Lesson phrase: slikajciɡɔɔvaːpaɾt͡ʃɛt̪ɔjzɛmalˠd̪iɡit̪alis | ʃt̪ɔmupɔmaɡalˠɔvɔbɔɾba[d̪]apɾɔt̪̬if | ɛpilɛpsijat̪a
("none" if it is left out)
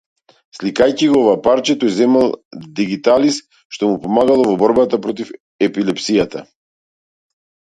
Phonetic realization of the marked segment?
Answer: t̪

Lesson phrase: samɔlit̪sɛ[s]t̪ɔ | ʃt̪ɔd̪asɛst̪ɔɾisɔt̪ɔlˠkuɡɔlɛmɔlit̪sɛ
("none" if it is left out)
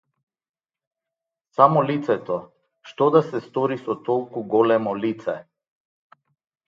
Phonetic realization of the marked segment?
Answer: none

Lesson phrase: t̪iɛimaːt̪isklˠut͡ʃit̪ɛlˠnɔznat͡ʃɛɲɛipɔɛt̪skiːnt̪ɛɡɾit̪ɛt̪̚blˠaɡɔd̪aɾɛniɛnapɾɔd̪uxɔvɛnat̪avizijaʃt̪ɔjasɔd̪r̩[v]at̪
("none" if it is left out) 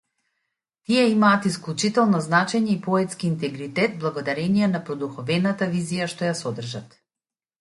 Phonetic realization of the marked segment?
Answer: ʒ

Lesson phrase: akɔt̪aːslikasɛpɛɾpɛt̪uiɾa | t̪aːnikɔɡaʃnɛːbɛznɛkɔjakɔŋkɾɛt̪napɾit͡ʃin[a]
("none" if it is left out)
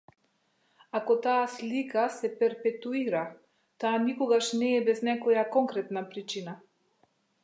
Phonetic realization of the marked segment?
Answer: a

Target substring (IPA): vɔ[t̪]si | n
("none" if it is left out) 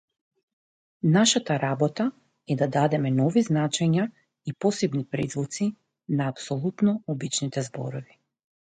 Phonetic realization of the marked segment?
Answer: t̪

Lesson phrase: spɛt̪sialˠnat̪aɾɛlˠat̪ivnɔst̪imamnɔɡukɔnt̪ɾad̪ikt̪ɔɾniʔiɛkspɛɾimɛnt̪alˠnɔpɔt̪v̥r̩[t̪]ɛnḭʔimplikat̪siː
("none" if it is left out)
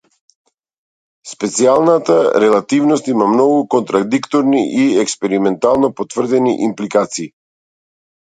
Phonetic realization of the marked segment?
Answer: d̪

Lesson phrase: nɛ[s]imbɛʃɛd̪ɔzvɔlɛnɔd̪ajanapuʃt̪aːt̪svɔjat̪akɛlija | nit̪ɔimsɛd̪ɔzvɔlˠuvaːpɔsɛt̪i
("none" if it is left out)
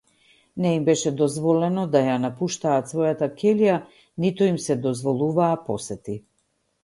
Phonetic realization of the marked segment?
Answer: none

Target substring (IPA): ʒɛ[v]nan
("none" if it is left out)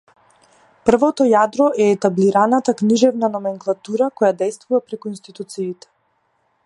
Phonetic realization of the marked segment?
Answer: v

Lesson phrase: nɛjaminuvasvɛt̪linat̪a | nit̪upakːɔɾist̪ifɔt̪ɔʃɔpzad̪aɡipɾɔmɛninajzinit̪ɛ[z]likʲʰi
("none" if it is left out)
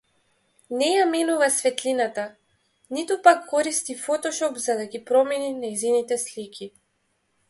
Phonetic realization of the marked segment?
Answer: s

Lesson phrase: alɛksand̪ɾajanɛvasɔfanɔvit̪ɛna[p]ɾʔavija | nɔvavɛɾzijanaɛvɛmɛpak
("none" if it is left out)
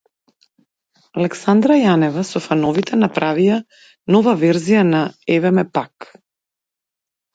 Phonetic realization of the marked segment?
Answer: p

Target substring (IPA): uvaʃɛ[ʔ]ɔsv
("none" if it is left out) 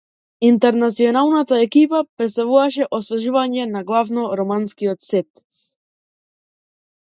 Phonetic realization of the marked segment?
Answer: ʔ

